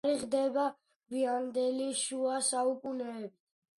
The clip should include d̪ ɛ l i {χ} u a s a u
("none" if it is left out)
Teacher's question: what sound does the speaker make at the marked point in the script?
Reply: ʃ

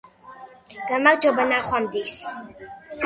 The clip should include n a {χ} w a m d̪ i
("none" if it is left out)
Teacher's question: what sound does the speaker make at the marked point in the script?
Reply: χ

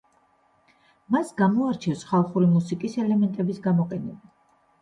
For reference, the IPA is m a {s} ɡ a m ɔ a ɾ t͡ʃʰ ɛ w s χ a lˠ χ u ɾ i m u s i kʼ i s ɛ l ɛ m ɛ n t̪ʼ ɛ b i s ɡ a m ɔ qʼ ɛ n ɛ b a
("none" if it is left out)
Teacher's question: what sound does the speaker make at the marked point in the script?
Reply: s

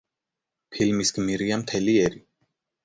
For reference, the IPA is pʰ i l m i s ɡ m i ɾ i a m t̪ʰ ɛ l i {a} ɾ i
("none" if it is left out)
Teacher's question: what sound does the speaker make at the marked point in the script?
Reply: ɛ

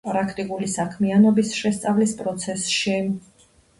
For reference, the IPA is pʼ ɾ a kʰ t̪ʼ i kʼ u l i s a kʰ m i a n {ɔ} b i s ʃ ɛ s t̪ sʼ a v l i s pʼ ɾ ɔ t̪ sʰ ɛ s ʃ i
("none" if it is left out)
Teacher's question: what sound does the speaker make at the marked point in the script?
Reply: ɔ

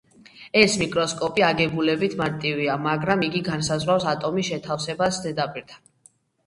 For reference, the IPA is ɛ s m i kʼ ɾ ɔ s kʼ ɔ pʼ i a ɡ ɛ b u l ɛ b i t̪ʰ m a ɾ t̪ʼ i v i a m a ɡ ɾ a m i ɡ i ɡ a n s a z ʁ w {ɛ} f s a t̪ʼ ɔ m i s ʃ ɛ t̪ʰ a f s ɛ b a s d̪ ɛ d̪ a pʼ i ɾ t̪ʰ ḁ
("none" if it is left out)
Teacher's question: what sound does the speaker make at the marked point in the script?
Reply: a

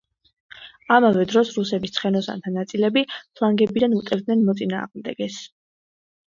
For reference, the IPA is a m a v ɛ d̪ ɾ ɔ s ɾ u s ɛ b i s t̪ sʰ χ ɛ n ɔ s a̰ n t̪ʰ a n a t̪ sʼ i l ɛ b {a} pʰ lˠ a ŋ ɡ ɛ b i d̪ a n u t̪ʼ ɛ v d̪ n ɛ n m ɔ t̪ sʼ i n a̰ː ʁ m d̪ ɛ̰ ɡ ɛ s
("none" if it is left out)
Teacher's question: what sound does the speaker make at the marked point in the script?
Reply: i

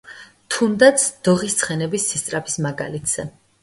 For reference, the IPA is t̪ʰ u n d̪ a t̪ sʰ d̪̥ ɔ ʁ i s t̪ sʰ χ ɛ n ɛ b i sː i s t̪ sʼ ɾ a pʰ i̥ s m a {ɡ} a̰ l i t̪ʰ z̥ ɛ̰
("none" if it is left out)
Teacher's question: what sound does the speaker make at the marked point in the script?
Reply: ɡ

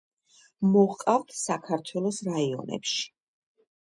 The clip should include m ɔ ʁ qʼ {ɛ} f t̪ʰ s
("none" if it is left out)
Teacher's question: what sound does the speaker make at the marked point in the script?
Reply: a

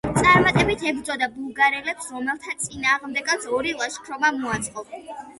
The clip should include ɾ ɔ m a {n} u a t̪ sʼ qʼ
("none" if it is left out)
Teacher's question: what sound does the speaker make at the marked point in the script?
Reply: m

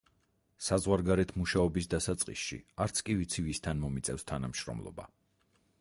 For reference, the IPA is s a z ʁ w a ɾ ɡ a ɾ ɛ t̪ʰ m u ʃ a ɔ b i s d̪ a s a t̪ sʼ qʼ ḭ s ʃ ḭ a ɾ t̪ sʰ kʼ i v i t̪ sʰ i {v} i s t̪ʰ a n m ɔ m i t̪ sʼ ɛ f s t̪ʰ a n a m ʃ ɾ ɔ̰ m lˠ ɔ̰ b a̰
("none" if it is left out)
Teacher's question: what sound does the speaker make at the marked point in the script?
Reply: v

